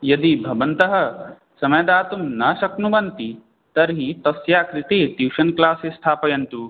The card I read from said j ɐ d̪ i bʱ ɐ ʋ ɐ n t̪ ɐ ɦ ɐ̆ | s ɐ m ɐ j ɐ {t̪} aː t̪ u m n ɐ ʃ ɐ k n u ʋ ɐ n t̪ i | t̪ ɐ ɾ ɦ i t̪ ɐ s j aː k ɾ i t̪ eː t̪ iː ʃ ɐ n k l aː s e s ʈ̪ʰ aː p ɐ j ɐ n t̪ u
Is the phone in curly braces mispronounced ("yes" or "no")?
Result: yes